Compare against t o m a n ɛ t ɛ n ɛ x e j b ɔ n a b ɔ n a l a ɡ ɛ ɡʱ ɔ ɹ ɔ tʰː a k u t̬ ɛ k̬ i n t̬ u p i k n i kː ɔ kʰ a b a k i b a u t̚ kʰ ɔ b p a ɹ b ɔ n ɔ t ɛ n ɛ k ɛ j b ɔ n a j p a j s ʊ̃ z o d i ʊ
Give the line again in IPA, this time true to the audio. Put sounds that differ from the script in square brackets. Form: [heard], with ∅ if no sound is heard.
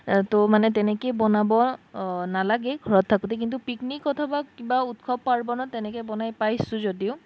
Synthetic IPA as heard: t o m a n ɛ t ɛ n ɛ [k] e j b ɔ n a b ɔ n a l a ɡ ɛ ɡʱ ɔ ɹ ɔ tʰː a k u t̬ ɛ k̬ i n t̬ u p i k n i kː ɔ [tʰ] a b a k i b a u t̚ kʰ ɔ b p a ɹ b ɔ n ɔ t ɛ n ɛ k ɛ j b ɔ n a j p a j s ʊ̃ z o d i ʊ